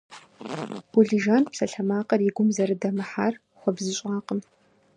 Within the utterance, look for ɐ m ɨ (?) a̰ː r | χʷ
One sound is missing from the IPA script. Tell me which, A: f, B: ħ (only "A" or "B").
B